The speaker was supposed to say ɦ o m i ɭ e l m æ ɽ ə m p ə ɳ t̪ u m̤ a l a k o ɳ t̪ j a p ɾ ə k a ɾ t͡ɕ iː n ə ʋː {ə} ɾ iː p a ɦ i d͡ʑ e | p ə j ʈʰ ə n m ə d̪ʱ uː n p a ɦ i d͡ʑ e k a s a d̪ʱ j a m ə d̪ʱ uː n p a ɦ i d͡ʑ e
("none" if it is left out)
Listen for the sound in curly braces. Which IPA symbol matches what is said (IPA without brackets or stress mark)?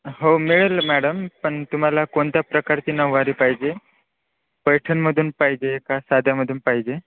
a